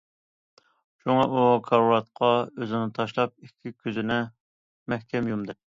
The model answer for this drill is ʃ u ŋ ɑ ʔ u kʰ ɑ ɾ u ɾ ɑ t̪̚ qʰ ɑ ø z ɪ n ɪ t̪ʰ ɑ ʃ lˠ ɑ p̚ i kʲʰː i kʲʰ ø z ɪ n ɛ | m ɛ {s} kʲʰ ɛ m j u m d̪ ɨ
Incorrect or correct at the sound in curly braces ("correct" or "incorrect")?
incorrect